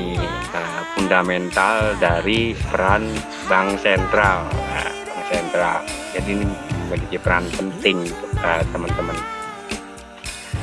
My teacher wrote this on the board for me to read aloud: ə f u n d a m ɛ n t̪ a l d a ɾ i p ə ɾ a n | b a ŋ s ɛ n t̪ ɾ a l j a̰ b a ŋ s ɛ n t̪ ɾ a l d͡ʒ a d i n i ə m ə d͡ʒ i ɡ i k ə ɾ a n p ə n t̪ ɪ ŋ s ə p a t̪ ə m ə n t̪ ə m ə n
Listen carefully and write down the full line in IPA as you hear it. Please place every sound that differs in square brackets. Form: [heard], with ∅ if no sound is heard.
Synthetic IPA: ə f u n d a m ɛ n t̪ a l d a ɾ i p ə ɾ a n | b a ŋ s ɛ n t̪ ɾ a l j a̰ b a ŋ s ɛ n t̪ ɾ a l d͡ʒ a d i n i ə m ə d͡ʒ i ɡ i [p] ə ɾ a n p ə n t̪ ɪ ŋ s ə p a t̪ ə m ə n t̪ ə m ə n